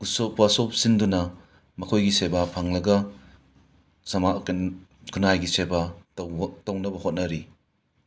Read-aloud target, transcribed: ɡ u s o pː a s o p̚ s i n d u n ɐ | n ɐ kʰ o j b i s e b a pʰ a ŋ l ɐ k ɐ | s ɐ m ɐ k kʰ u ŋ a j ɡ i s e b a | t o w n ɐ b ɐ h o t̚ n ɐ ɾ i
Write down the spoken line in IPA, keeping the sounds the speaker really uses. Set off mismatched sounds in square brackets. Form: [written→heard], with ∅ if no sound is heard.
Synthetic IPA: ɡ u s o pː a s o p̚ s i n d u n ɐ | [n→m] ɐ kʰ o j [b→ɡ] i s e b a pʰ a ŋ l ɐ [k→ɡ] ɐ | s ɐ m [ɐ→a] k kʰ u [ŋ→n] a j ɡ i s e b a | t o w n ɐ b ɐ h o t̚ n ɐ ɾ i